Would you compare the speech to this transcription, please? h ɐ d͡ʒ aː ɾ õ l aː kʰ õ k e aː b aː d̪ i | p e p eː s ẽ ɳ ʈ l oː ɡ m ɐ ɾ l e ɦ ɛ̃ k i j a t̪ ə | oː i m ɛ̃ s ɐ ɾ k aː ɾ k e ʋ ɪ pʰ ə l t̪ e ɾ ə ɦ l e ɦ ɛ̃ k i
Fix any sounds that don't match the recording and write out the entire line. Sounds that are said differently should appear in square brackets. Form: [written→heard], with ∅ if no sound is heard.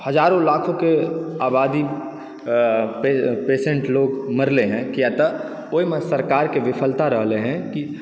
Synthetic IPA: h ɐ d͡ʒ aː ɾ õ l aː kʰ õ k e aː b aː d̪ i | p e p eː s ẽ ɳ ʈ l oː ɡ m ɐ ɾ l e ɦ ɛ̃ k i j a t̪ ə | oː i m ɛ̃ s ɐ ɾ k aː ɾ k e ʋ ɪ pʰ ə l t̪ [e→a] ɾ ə ɦ l e ɦ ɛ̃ k i